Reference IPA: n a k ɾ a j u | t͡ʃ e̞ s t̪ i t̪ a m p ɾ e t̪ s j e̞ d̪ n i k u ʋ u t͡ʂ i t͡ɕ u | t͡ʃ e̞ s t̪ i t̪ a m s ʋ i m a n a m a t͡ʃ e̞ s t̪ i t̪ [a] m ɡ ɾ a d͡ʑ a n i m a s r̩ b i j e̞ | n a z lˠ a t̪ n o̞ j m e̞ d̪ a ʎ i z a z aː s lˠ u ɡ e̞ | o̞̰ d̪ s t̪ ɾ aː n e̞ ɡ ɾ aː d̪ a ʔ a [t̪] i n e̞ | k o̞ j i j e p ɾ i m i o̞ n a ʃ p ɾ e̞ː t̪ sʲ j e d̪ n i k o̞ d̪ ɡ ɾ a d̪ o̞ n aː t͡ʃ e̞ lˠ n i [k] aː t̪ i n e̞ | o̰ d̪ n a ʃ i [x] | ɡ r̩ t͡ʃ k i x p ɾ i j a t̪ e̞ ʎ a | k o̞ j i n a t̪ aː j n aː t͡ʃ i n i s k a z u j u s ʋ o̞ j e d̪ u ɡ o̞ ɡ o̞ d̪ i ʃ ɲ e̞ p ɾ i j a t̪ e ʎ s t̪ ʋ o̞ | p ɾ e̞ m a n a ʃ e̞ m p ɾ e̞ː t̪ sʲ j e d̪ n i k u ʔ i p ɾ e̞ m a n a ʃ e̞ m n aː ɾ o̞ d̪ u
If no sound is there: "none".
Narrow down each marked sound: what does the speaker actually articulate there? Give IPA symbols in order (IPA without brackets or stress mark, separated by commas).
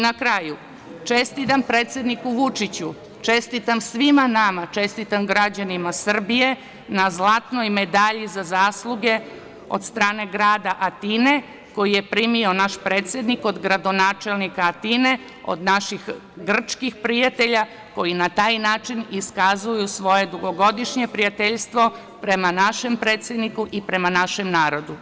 a, t̪, k, x